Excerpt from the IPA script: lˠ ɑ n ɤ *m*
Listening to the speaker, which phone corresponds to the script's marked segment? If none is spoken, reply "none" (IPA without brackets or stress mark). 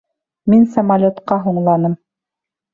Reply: m